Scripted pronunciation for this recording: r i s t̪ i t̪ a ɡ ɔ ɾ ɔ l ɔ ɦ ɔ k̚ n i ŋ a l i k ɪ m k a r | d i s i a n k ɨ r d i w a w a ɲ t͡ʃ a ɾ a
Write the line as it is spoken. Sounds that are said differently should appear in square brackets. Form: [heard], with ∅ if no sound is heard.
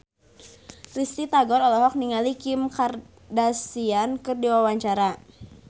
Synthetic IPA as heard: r i s t̪ i t̪ a ɡ ɔ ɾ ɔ l ɔ ɦ ɔ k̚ n i ŋ a l i k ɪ m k a r | d [a] s i a n k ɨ r d i w a w a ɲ t͡ʃ a ɾ a